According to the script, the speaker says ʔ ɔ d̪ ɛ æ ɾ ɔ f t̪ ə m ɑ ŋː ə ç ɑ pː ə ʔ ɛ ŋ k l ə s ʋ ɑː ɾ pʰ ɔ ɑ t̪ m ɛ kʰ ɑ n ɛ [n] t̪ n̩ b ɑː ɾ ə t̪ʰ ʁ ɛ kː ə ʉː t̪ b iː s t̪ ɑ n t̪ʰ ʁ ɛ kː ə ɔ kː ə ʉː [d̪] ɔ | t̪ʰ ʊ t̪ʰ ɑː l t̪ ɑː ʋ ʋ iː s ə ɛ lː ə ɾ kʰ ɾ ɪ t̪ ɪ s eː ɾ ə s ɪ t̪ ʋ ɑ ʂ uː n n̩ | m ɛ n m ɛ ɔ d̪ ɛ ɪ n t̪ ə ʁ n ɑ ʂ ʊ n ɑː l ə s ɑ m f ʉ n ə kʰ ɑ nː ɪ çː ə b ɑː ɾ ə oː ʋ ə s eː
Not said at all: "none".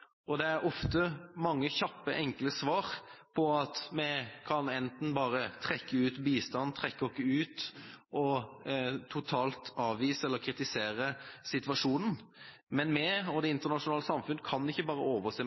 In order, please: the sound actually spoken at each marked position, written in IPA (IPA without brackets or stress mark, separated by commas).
n, t̪